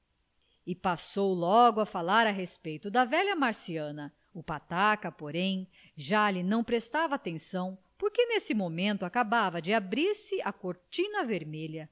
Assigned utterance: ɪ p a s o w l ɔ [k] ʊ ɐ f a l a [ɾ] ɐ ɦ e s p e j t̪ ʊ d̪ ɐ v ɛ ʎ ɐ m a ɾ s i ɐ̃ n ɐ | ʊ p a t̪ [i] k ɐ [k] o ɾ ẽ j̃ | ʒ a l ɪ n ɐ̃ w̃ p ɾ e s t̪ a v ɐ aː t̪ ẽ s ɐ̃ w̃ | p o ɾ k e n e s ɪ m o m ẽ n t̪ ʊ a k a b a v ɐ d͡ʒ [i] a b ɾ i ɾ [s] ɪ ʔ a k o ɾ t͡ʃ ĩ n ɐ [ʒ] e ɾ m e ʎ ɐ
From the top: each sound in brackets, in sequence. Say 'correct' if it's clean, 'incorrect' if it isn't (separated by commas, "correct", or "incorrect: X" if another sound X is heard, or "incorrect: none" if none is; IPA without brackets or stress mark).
incorrect: ɡ, correct, incorrect: a, incorrect: p, incorrect: ɪ, correct, incorrect: v